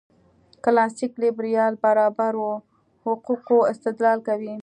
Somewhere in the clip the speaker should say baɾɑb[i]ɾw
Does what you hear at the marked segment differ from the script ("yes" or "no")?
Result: yes